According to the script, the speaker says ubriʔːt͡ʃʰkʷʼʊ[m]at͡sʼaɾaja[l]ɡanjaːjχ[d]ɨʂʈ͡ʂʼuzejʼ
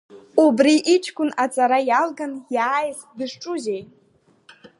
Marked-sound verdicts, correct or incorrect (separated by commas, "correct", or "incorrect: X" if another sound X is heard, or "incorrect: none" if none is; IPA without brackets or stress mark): incorrect: n, correct, correct